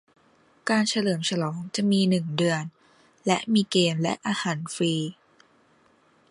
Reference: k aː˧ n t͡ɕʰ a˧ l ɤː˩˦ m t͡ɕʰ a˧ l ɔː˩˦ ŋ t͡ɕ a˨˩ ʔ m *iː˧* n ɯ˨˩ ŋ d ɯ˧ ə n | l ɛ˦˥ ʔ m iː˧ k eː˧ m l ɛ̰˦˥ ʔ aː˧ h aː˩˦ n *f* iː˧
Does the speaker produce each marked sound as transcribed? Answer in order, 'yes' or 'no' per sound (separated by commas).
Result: yes, yes